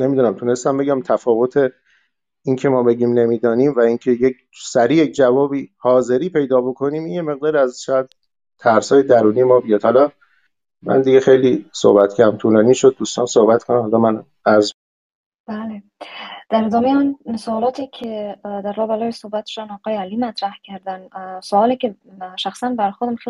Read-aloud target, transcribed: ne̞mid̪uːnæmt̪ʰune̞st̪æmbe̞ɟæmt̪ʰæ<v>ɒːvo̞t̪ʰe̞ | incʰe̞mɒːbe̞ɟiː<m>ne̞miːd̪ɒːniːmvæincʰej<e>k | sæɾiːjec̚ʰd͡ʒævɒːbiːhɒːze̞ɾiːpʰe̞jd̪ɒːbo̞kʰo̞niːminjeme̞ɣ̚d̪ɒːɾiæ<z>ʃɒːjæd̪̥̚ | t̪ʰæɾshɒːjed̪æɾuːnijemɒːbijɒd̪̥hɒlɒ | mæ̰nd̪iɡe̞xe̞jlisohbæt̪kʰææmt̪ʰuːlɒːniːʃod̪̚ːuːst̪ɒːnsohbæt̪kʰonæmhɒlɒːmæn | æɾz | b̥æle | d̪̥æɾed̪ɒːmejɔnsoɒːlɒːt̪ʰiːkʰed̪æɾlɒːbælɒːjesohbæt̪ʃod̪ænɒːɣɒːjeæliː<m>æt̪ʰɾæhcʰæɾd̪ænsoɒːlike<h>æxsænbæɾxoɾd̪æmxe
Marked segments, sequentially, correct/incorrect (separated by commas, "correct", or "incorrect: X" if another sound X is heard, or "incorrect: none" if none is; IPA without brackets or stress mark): incorrect: f, correct, correct, correct, correct, incorrect: ʃ